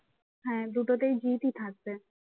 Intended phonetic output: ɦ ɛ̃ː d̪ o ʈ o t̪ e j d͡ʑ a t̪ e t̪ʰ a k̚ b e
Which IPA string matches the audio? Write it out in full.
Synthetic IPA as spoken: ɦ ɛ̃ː d̪ u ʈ o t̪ e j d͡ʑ i t̪ i t̪ʰ a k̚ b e